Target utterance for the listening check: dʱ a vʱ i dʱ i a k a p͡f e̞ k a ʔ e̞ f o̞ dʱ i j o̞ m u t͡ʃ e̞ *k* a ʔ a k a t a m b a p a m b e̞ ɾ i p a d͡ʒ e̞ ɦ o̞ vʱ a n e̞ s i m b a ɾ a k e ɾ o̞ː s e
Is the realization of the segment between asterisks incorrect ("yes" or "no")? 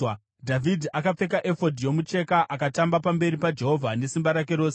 no